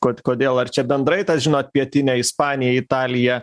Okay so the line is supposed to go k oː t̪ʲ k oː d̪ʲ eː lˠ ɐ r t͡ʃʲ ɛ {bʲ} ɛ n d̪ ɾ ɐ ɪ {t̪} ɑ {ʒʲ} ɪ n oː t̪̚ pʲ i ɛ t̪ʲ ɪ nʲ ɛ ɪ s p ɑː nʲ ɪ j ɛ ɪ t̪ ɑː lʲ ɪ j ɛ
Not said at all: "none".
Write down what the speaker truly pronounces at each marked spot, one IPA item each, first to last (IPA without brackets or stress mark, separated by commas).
bʲ, t̪, ʒʲ